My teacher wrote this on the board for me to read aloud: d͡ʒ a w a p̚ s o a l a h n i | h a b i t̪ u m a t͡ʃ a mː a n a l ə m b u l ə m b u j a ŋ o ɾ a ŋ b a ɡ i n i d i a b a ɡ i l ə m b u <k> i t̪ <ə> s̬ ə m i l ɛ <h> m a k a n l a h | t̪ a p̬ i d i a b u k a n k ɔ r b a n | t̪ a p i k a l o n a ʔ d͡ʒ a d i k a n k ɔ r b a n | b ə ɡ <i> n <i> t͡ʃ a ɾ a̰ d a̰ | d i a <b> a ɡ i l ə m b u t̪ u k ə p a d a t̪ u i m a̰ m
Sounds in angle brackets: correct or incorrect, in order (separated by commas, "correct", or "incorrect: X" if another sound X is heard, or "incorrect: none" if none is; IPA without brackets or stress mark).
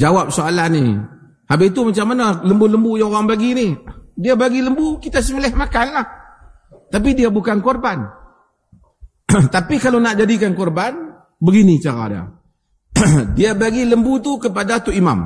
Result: correct, incorrect: a, correct, correct, correct, correct